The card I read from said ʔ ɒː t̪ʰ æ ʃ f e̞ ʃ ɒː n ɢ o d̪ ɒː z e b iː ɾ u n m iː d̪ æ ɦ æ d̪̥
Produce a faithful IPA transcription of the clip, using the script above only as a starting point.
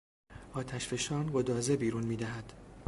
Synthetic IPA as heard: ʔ ɒː t̪ʰ æ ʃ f e̞ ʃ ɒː n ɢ o d̪ ɒː z e b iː ɾ u n m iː d̪ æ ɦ æ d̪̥

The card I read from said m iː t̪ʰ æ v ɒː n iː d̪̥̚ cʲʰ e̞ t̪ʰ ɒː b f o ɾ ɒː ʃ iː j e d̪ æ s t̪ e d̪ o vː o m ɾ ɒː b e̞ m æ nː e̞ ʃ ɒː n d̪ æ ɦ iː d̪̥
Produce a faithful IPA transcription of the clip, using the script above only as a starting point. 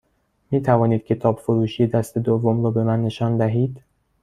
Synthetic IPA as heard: m iː t̪ʰ æ v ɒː n iː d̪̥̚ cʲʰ e̞ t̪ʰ ɒː b f o ɾ uː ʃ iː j e d̪ æ s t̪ e d̪ o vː o m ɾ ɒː b e̞ m æ nː e̞ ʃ ɒː n d̪ æ ɦ iː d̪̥

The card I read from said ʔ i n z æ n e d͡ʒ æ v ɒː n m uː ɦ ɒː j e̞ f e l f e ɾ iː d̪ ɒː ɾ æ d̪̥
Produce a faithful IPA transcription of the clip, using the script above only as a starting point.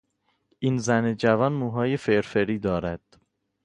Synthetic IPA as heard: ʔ i n z æ n e d͡ʒ æ v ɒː n m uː ɦ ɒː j e̞ f e ɾ f e ɾ iː d̪ ɒː ɾ æ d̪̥

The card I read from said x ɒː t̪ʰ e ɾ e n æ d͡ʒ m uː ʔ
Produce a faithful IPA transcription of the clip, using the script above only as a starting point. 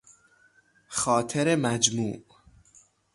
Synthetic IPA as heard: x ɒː t̪ʰ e ɾ e m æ d͡ʒ m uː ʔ

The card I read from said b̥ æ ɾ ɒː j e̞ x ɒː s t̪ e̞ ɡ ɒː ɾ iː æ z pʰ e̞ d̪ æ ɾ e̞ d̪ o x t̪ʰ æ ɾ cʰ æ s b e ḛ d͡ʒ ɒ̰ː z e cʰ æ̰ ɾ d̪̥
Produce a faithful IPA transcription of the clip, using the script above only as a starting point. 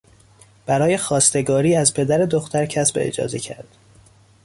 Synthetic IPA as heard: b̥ æ ɾ ɒː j e̞ x ɒː s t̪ e̞ ɡ ɒː ɾ iː æ z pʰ e̞ d̪ æ ɾ e̞ d̪ o x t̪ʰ æ ɾ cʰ æ s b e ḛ d͡ʒ ɒ̰ː z e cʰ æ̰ ɾ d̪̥

